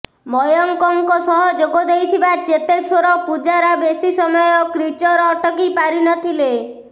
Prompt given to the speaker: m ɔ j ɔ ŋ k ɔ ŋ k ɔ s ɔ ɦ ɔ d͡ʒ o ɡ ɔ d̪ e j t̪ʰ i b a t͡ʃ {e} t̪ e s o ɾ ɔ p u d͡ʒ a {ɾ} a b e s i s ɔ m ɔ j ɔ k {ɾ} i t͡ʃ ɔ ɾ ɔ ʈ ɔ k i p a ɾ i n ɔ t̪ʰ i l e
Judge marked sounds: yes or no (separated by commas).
yes, yes, yes